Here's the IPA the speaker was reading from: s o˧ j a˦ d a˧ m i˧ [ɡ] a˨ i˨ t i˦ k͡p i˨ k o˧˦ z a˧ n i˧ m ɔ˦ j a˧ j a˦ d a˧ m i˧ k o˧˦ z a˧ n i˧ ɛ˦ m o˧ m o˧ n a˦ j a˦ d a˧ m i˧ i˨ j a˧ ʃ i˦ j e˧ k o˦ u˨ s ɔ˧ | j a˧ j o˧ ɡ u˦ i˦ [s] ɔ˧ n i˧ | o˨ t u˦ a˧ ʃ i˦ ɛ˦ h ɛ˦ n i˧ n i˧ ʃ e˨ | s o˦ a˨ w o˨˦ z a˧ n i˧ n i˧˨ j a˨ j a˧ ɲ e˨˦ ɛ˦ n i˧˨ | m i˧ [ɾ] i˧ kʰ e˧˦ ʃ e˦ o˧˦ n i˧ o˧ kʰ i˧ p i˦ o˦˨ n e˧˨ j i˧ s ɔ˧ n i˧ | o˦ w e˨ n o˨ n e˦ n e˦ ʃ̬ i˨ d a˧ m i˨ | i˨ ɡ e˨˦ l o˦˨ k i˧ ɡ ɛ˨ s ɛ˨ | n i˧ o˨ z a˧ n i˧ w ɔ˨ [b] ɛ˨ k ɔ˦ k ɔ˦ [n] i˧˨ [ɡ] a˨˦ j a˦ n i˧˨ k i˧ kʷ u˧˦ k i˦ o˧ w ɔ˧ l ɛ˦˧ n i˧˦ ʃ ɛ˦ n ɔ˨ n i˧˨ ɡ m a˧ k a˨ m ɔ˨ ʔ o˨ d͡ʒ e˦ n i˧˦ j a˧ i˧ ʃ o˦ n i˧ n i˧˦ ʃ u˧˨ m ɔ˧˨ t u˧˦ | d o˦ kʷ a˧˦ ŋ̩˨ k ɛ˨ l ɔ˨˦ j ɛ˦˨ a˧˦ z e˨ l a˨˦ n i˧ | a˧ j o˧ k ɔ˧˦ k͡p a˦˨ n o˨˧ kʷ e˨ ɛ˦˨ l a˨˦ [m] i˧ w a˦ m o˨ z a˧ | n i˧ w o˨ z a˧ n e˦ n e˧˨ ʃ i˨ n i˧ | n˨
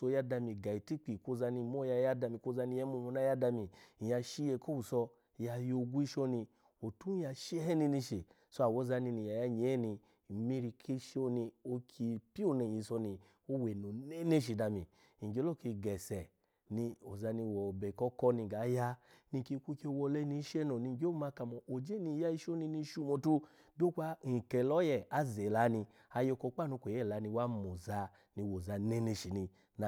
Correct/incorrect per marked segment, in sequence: correct, incorrect, correct, correct, correct, correct, incorrect

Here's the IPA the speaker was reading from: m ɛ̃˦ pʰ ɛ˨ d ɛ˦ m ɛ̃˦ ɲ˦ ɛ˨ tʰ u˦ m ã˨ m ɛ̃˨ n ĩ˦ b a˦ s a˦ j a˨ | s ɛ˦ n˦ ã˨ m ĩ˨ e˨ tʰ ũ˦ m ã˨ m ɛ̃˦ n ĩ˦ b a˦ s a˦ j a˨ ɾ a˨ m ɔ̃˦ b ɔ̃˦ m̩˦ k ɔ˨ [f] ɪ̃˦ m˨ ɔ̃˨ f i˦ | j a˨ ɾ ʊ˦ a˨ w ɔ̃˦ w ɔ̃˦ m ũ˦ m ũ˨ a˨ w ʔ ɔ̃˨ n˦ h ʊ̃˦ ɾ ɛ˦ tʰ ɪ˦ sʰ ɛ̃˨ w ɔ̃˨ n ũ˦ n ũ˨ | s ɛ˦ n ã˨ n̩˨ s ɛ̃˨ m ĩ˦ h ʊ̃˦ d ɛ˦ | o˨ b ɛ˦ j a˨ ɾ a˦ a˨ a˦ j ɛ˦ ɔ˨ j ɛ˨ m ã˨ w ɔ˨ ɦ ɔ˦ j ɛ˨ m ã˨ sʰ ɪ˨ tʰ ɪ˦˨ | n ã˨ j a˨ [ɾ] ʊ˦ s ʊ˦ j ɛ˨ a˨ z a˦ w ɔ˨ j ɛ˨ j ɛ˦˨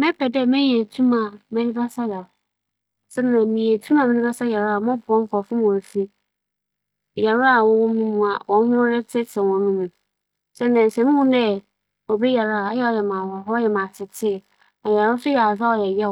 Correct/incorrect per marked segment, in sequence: correct, correct

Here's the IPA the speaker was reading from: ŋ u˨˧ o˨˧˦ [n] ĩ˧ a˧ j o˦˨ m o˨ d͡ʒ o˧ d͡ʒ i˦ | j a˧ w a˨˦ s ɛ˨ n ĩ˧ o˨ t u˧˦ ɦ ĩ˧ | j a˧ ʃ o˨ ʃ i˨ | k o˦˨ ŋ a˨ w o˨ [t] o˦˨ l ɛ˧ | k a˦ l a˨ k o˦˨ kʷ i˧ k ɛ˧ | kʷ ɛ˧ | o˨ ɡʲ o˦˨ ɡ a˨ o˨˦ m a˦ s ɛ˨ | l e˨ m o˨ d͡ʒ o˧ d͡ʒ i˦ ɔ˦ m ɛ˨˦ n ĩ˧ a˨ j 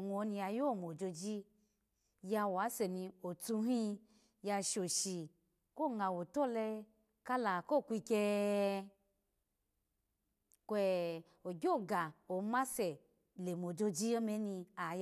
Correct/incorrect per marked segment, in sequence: correct, correct

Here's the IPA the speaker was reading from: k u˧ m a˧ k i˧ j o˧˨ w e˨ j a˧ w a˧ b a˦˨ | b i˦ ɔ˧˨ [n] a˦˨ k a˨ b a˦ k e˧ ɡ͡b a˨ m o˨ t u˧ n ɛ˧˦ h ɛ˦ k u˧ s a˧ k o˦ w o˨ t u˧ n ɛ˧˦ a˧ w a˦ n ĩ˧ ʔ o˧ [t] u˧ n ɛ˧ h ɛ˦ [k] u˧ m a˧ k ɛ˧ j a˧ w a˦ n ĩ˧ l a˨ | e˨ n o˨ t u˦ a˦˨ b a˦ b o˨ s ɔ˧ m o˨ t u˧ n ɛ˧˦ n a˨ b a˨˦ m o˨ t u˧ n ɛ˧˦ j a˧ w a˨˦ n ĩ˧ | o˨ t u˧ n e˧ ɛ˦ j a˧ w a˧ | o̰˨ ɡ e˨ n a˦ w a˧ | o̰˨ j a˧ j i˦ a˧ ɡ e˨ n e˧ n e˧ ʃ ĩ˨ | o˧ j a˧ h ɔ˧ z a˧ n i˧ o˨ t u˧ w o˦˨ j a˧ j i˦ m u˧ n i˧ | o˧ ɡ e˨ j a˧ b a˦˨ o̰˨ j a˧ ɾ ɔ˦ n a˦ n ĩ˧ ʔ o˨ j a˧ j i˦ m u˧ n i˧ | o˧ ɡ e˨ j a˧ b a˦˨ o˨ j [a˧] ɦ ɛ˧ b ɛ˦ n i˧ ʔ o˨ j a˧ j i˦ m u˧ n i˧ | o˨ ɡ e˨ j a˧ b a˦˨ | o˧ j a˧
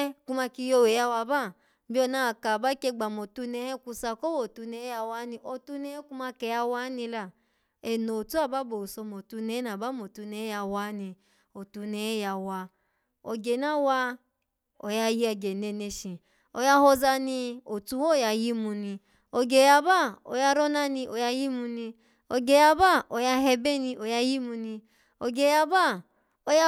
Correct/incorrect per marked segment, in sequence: correct, correct, correct, correct

